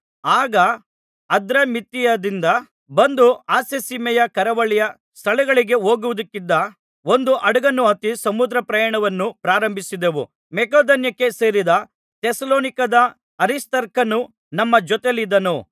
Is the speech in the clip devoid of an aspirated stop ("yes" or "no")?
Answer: no